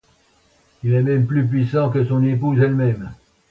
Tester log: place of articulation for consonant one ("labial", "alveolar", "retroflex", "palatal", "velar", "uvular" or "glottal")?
alveolar